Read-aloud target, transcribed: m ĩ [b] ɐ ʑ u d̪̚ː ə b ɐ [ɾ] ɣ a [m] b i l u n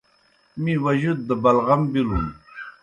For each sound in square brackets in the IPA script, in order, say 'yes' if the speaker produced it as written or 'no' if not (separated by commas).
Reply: no, no, yes